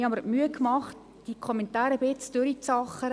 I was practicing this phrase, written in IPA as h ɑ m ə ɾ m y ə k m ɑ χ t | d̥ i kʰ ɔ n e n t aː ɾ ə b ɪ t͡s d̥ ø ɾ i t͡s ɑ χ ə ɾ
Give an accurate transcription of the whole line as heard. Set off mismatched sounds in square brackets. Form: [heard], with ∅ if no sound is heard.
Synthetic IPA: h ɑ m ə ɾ m y ə k m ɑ χ t | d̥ i kʰ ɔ [m] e n t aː ɾ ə b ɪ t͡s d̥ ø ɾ i t͡s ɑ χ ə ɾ